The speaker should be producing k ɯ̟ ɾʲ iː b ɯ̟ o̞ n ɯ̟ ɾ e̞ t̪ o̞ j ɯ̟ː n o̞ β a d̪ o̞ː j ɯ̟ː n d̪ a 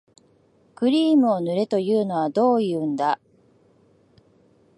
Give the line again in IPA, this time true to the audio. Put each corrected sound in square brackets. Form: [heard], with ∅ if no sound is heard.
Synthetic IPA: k ɯ̟ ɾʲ iː [m] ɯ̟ o̞ n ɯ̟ ɾ e̞ t̪ o̞ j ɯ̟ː n o̞ β a d̪ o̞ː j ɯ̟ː n d̪ a